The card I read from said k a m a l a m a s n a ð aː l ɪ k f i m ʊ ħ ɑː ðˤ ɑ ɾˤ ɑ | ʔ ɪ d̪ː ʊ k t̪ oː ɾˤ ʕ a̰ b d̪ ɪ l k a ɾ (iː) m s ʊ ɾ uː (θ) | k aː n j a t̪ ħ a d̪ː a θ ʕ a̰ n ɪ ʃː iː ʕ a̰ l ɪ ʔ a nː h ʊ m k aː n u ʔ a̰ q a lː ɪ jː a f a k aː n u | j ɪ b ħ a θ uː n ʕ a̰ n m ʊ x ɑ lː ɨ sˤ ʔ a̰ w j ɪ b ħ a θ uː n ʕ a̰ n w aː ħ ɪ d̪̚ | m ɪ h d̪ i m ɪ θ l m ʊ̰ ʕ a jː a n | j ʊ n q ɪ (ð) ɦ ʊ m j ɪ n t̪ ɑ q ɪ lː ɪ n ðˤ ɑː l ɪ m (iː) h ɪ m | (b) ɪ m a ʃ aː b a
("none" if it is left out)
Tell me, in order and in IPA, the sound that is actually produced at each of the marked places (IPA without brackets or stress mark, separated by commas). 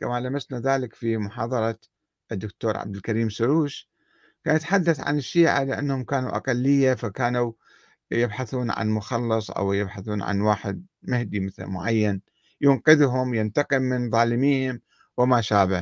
iː, ʃ, ð, iː, w